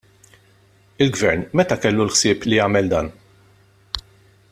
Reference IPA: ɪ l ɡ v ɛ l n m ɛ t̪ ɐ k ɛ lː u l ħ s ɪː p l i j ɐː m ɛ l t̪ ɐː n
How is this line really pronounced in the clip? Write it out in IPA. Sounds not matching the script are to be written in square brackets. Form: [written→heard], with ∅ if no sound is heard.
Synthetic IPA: ɪ l ɡ v ɛ [l→ɾ] n m ɛ t̪ ɐ k ɛ lː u l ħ s ɪː p l i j ɐː m ɛ l [t̪→d̪] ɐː n